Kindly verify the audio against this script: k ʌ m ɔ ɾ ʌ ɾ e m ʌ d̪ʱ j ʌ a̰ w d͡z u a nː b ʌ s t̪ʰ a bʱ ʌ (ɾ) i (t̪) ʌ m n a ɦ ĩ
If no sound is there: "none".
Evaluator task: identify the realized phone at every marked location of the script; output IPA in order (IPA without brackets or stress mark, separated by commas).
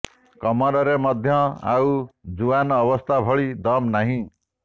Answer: ɭ, d̪